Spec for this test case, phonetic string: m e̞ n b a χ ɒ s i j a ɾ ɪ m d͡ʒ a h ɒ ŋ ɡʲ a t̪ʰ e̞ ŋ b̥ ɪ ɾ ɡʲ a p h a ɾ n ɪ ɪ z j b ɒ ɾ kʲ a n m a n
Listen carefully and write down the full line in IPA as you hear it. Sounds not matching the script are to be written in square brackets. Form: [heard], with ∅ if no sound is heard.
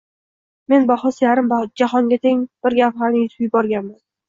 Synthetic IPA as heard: m e̞ n b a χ ɒ s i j a ɾ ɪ m d͡ʒ a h ɒ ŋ ɡʲ a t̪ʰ e̞ ŋ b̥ ɪ ɾ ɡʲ a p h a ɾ n ɪ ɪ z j b ɒ ɾ [ɡʲ] a n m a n